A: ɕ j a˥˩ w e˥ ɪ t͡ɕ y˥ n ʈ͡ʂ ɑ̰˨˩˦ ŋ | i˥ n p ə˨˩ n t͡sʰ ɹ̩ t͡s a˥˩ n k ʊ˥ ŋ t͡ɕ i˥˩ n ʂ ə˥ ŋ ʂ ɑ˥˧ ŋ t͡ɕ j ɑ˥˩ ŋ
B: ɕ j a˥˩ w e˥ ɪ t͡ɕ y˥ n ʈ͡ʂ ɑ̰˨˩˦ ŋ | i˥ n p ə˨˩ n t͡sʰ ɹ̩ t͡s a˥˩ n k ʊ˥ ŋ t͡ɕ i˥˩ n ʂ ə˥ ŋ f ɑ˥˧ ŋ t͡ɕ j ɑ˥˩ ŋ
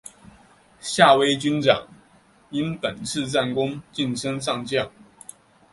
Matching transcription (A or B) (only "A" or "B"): A